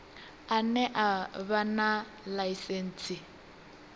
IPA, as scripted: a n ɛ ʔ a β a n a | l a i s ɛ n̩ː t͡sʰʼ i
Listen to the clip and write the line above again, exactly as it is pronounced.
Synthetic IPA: a n ɛ ʔ a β a n a | l a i s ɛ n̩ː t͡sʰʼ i

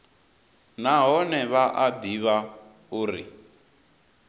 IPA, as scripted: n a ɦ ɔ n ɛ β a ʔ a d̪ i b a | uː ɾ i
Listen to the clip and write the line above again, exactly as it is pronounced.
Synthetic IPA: n a ɦ ɔ n ɛ β a ʔ a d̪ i β a | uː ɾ i

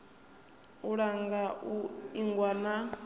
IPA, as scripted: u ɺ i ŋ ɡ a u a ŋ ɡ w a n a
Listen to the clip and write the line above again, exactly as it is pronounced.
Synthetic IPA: u ɺ a ŋ ɡ a u i ŋ ɡ w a n a

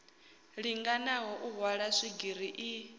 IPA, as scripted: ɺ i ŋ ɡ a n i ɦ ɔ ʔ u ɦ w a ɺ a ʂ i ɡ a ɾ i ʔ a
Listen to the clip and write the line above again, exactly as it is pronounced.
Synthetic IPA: ɺ i ŋ ɡ a n a ɦ ɔ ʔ u ɦ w a ɺ a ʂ i ɡ i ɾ i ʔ i

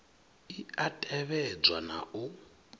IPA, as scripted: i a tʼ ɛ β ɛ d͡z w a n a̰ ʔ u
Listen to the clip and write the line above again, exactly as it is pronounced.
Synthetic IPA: i a tʼ ɛ β ɛ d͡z w a n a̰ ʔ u

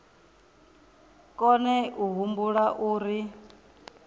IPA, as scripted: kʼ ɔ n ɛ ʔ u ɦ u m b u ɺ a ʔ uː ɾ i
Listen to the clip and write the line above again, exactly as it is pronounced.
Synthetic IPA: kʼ ɔ n ɛ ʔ u ɦ u m b u ɺ a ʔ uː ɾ i

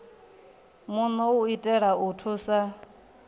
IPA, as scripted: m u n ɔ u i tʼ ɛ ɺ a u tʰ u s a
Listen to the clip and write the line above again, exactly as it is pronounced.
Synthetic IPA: m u n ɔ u i tʼ ɛ ɺ a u tʰ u s a

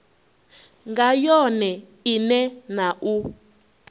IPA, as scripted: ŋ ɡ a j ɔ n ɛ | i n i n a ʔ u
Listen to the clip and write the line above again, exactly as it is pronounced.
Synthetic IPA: ŋ ɡ a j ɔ n ɛ | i n ɛ n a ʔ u

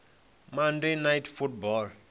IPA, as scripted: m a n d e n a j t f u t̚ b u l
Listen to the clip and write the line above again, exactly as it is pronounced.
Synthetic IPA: m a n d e n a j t f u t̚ b ɔ l

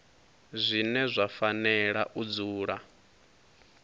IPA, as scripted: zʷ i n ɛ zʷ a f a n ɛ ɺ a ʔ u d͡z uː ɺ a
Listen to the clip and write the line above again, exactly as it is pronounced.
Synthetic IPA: zʷ i n ɛ zʷ a f a n ɛ ɺ a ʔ u d͡z uː ɺ a

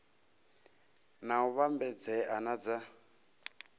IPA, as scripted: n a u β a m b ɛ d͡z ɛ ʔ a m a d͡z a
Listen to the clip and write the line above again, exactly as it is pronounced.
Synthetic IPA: n a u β a m b ɛ d͡z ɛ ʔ a n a d͡z a

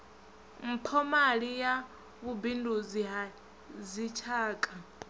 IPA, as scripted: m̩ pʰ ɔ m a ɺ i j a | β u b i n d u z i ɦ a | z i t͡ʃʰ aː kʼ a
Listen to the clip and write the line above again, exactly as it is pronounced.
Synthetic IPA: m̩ pʰ ɔ m a ɺ i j a | β u b i n d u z i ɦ a | z i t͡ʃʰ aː kʼ a

